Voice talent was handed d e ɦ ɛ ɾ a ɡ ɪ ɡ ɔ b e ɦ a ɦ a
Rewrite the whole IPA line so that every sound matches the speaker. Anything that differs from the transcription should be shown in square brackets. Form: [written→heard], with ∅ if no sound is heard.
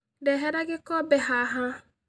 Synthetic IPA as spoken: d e ɦ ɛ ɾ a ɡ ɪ [ɡ→k] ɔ b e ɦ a ɦ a